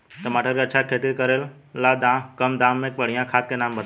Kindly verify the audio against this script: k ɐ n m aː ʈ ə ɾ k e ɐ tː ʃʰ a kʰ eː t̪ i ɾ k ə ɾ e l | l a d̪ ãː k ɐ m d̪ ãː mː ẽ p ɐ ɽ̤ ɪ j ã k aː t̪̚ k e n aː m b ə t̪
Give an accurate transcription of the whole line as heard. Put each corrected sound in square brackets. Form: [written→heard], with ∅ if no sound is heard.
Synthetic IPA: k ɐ [n→∅] m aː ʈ ə ɾ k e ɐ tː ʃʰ a kʰ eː t̪ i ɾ k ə ɾ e l | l a d̪ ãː k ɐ m d̪ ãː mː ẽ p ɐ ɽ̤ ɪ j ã [k→kʰ] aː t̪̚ k e n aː m b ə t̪